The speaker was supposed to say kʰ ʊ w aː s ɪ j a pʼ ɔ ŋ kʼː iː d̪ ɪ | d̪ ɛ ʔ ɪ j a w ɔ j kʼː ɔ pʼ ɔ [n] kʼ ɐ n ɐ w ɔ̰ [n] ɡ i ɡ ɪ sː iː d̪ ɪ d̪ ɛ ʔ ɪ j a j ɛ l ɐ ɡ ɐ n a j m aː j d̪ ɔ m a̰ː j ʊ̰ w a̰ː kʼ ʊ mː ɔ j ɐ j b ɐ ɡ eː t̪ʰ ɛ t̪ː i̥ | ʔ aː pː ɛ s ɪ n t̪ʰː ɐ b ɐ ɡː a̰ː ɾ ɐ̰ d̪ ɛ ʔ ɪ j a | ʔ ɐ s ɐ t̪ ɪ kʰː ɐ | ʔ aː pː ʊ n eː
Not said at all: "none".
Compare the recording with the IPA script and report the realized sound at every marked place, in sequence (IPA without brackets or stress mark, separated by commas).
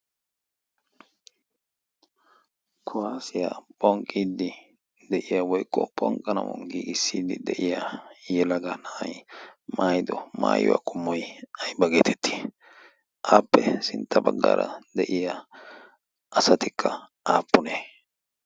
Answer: ŋ, ŋ